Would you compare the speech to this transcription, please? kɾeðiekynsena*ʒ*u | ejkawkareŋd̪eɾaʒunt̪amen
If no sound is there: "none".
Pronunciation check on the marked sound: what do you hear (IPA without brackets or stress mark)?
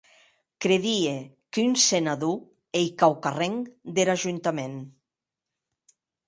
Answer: ð